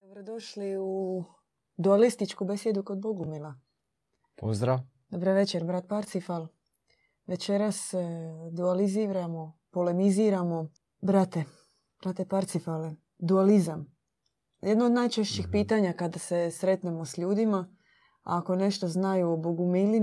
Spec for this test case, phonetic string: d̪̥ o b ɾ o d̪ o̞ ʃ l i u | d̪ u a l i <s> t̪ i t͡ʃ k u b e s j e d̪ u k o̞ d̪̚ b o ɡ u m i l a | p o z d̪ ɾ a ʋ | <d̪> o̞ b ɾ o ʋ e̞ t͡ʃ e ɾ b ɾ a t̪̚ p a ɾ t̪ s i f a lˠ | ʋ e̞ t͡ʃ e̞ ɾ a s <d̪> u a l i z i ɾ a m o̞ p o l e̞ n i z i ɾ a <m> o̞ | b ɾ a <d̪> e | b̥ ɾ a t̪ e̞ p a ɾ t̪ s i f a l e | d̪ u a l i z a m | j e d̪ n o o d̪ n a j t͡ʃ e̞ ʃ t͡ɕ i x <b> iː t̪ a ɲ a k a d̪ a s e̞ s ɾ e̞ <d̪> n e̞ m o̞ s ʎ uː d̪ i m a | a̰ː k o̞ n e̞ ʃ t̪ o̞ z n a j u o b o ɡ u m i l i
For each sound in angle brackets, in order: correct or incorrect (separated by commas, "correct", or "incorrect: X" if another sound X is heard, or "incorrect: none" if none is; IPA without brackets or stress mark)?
correct, correct, correct, correct, incorrect: t̪, incorrect: p, incorrect: t̪